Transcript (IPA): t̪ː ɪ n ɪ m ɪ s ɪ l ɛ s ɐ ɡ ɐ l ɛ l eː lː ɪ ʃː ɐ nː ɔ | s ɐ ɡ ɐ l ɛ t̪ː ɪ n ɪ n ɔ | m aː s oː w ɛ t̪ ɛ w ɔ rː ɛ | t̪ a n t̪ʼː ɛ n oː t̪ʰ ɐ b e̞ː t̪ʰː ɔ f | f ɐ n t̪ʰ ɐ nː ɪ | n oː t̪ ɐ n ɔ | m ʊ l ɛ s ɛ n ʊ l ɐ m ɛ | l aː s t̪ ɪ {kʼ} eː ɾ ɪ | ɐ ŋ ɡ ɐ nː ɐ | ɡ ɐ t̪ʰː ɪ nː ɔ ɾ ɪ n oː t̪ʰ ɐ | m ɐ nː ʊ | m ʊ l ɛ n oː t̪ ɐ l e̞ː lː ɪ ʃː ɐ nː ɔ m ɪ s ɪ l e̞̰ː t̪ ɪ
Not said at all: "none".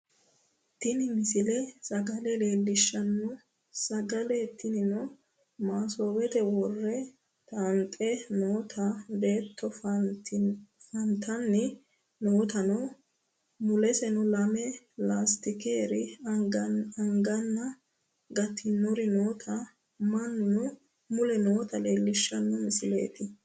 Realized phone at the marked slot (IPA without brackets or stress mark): k